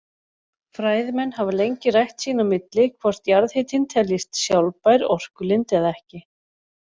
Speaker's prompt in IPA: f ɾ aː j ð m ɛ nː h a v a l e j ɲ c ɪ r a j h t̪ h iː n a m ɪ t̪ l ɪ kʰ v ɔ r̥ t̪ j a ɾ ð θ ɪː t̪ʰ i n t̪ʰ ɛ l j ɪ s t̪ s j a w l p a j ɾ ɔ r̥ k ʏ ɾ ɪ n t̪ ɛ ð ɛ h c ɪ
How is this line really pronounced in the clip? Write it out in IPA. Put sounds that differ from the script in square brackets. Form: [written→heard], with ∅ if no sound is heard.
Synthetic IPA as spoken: f ɾ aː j ð m ɛ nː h a v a l e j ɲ c ɪ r a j h t̪ [h→s] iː n a m ɪ t̪ l ɪ kʰ v ɔ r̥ t̪ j a ɾ ð [θ→h] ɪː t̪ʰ [i→ɪ] n t̪ʰ ɛ l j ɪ s t̪ s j a w l p a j ɾ ɔ r̥ k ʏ [ɾ→l] ɪ n t̪ ɛ ð ɛ h c ɪ